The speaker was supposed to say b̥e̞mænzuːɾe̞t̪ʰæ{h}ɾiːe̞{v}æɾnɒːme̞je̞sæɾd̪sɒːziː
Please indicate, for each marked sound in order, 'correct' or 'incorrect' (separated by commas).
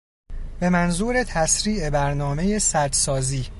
incorrect, incorrect